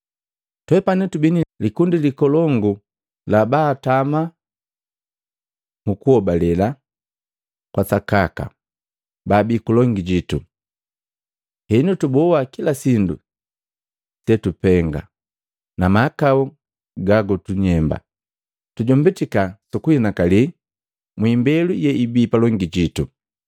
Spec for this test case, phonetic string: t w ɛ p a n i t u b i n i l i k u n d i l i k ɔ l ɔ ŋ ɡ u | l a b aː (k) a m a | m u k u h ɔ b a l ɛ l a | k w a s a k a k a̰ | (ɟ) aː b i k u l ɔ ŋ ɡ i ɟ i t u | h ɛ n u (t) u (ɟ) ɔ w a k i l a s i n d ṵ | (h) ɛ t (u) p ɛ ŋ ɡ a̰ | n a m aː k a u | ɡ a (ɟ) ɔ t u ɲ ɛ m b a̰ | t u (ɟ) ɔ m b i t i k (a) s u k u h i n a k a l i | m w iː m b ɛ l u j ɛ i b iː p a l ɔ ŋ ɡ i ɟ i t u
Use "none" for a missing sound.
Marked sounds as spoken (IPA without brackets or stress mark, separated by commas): t, b, t, b, s, u, ɡ, ɟ, a